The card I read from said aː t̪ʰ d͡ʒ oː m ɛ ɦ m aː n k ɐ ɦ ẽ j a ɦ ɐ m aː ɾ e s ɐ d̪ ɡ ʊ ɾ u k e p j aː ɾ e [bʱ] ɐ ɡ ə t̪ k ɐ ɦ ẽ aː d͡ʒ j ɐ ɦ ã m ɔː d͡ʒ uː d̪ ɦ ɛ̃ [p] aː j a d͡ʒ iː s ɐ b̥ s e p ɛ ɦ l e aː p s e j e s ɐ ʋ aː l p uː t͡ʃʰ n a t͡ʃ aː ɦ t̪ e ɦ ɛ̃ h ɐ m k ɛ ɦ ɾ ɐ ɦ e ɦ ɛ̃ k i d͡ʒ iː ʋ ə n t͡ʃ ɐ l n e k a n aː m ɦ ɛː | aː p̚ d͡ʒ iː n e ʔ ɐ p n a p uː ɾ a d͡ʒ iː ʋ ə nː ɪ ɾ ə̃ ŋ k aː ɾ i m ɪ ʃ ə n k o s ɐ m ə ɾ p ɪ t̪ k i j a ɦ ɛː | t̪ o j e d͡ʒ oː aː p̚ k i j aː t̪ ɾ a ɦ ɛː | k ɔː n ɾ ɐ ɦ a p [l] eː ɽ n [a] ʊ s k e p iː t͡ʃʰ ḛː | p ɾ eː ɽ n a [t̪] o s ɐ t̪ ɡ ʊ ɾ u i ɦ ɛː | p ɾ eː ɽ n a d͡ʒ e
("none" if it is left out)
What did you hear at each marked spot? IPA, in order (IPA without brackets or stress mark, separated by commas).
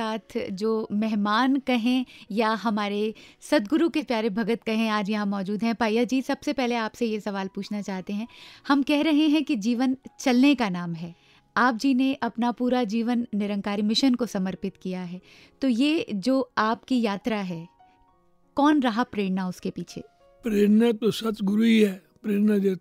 bʱ, p, ɾ, a, t̪